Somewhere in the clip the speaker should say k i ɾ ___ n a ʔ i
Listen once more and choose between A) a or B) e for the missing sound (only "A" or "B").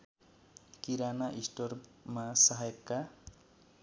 A